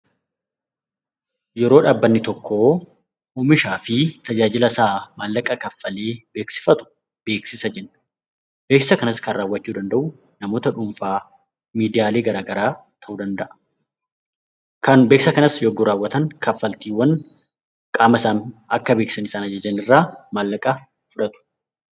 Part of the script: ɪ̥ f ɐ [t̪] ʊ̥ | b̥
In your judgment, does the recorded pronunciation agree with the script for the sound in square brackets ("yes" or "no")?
yes